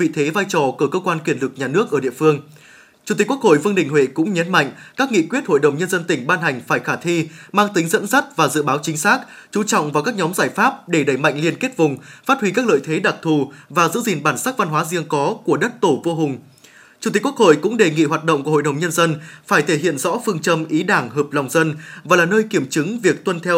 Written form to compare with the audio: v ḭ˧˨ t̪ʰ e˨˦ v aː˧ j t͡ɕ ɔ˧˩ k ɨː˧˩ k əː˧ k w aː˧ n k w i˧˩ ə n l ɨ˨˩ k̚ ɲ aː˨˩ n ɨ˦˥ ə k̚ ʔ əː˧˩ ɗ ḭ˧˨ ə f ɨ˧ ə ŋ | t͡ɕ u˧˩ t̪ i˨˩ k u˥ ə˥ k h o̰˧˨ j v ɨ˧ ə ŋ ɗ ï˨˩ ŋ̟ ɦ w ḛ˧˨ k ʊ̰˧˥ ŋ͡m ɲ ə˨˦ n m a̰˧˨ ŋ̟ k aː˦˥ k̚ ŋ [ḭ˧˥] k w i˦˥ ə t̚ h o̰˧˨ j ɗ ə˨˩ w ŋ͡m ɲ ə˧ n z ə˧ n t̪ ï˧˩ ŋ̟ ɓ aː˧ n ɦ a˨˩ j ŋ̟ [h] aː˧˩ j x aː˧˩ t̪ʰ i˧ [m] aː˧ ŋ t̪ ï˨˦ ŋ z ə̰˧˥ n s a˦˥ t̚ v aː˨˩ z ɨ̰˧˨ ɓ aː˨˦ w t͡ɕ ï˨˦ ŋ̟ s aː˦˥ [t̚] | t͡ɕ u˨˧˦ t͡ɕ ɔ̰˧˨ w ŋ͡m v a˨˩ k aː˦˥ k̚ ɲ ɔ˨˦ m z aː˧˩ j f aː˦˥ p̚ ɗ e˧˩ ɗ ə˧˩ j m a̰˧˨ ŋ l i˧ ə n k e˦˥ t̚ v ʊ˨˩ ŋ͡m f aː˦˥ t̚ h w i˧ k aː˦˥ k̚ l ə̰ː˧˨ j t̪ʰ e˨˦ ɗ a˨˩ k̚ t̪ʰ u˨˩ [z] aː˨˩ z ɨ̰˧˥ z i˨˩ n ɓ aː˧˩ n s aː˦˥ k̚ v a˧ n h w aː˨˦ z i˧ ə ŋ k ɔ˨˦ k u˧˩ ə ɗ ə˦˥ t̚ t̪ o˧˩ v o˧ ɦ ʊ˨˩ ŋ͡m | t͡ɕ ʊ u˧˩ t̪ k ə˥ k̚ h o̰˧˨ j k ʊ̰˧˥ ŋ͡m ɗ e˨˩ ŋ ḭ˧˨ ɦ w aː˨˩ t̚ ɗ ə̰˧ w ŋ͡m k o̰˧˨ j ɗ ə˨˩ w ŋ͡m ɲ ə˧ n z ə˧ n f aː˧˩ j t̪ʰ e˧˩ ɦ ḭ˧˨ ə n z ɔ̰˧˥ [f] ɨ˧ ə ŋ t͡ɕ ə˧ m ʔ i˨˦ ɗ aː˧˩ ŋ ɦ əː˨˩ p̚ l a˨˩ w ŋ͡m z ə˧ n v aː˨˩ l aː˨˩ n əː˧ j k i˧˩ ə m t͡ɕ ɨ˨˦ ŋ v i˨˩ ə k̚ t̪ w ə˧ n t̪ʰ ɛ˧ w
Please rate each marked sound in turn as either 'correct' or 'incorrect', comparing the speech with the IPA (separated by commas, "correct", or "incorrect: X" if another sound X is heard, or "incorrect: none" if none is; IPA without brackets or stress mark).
incorrect: ḭ˧˨, incorrect: f, correct, incorrect: k̚, incorrect: v, correct